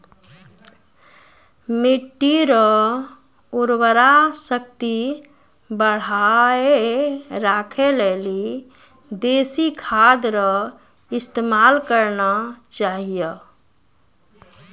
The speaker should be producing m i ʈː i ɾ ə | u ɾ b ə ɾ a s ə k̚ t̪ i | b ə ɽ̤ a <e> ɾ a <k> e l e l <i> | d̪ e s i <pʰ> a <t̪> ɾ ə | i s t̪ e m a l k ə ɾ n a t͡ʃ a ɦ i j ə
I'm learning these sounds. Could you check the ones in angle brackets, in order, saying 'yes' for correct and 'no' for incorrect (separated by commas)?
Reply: yes, no, yes, no, no